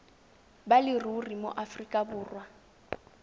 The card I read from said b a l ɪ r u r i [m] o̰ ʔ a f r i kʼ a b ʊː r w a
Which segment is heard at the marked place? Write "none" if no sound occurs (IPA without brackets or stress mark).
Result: m